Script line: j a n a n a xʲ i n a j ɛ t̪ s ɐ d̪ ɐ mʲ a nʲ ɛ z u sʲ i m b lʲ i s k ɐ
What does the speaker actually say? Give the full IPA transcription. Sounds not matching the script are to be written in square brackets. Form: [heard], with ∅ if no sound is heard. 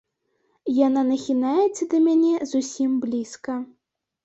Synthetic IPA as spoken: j a n a n [ɐ] xʲ i n a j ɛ t̪ s ɐ d̪ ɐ mʲ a nʲ ɛ z u sʲ i m b lʲ i s k ɐ